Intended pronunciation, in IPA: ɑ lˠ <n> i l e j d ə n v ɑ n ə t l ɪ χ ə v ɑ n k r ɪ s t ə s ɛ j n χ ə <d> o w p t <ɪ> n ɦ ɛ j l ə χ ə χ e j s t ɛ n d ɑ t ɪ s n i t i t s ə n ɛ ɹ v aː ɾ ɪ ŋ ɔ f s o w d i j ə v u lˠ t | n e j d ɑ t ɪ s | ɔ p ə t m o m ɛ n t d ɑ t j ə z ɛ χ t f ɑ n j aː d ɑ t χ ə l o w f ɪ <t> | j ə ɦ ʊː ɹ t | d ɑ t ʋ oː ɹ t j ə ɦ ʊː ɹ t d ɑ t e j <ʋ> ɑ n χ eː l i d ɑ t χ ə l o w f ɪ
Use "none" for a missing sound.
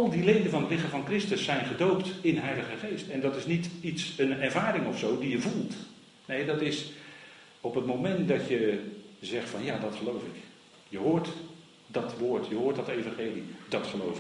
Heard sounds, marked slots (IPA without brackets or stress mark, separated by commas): d, d, ɪ, k, v